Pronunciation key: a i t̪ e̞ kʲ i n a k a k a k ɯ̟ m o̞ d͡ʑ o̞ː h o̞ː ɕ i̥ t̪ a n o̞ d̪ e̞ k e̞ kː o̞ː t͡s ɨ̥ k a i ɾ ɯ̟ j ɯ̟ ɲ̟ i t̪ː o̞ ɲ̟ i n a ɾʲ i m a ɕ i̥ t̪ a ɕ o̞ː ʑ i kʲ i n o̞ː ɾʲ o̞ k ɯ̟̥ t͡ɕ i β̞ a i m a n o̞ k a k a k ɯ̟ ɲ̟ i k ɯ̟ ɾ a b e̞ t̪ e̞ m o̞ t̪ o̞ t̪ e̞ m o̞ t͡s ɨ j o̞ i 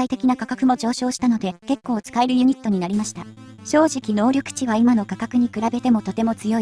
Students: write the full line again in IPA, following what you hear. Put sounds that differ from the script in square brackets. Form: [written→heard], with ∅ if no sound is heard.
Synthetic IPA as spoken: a i t̪ e̞ kʲ i n a k a k a k ɯ̟ m o̞ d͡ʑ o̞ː [h→ɕ] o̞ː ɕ i̥ t̪ a n o̞ d̪ e̞ k e̞ kː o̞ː t͡s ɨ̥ k a [i→e] ɾ ɯ̟ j ɯ̟ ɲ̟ i t̪ː o̞ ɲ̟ i n a ɾʲ i m a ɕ i̥ t̪ a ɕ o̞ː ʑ i kʲ i n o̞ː ɾʲ o̞ k ɯ̟̥ t͡ɕ i β̞ a i m a n o̞ k a k a k ɯ̟ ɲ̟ i k ɯ̟ ɾ a b e̞ t̪ e̞ m o̞ t̪ o̞ t̪ e̞ m o̞ t͡s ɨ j o̞ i